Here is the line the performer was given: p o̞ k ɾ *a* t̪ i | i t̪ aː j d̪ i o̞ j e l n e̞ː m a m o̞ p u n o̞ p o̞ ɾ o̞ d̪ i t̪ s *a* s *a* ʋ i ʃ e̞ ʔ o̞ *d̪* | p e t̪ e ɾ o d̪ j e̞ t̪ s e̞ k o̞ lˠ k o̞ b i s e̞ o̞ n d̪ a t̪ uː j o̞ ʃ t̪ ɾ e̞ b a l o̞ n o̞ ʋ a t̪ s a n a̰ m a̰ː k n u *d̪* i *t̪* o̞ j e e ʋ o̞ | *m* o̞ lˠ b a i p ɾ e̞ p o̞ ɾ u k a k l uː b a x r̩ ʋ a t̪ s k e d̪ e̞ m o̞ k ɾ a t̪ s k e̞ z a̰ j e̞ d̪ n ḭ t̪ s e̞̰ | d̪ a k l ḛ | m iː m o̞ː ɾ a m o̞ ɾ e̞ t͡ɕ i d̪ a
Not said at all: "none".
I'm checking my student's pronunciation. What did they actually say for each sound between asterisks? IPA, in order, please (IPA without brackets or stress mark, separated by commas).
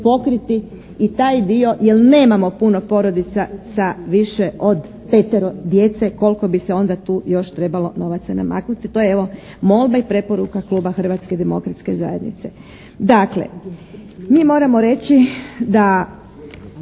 i, a, a, d̪, t̪, t̪, m